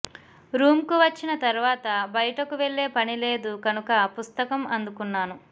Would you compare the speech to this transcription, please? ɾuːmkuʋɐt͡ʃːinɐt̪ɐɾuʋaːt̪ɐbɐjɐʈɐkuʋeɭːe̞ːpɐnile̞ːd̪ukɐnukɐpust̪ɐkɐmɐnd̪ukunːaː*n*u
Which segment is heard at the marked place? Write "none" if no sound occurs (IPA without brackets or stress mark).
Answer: n